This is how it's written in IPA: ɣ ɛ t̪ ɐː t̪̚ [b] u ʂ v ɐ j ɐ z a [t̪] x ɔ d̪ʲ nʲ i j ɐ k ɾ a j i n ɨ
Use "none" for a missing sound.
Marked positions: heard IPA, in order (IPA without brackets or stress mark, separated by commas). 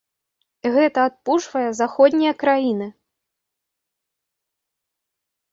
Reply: p, none